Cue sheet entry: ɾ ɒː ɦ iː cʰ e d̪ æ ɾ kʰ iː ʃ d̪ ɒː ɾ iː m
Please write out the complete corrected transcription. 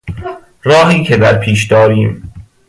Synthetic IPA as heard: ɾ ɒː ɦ iː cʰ e d̪ æ ɾ pʰ iː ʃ d̪ ɒː ɾ iː m

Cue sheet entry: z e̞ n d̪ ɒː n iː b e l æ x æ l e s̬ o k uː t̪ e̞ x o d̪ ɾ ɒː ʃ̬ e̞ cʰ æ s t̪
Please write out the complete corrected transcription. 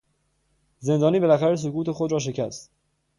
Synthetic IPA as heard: z e̞ n d̪ ɒː n iː b e l æ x æ ɾ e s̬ o k uː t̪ e̞ x o d̪ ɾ ɒː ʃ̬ e̞ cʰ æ s t̪

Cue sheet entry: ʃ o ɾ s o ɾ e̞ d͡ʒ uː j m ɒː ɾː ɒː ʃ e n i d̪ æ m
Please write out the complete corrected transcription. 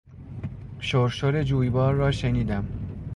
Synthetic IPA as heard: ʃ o ɾ ʃ o ɾ e̞ d͡ʒ uː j b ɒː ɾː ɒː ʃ e n iː d̪ æ m

